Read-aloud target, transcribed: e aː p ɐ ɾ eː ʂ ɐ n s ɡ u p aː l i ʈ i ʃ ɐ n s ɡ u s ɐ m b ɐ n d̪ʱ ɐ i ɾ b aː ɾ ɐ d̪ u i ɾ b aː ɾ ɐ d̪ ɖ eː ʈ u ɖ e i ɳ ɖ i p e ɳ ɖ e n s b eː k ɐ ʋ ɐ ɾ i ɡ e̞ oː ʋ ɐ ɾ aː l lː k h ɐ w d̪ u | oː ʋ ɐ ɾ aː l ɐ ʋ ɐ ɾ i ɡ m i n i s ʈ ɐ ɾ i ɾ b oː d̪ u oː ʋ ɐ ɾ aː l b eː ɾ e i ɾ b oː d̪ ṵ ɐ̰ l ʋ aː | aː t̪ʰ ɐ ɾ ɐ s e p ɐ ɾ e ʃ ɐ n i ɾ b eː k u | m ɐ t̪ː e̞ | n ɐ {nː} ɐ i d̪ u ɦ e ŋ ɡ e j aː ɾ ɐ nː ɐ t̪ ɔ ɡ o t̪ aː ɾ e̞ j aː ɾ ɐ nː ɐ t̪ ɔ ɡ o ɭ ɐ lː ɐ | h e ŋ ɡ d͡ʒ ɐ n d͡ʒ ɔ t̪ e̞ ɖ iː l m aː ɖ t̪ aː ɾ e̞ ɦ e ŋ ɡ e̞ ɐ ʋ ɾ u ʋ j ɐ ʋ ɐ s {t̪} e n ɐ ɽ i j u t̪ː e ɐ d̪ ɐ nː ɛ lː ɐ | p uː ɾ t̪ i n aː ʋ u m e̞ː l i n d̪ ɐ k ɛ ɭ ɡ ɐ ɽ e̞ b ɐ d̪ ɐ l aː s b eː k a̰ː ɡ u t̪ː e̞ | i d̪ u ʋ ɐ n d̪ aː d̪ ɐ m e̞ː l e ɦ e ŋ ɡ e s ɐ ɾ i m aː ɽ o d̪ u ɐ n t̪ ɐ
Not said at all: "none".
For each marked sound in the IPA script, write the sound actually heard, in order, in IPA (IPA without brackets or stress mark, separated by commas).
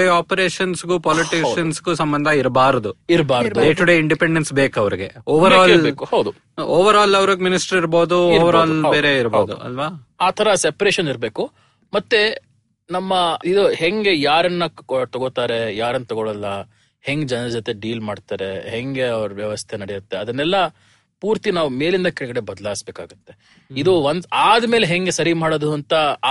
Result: mː, t̪ʰ